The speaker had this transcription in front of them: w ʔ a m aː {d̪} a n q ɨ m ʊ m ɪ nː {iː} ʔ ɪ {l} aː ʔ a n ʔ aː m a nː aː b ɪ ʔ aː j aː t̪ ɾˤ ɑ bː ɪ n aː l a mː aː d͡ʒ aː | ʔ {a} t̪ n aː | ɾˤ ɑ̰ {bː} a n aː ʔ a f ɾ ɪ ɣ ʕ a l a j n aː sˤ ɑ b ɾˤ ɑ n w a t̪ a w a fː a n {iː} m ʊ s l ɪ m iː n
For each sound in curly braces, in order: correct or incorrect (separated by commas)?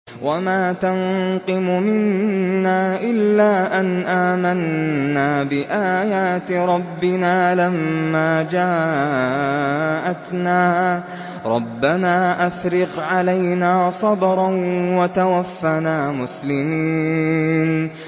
incorrect, incorrect, incorrect, correct, correct, incorrect